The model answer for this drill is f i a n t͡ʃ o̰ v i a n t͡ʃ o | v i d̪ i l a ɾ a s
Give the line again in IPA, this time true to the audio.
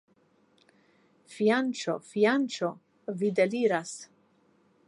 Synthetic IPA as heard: f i a n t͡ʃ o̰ f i a n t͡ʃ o | v i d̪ e l i ɾ a s